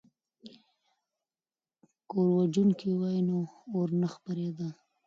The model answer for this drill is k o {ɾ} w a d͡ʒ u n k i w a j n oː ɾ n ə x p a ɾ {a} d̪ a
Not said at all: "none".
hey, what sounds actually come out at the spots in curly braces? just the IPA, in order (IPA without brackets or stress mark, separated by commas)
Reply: ɾ, e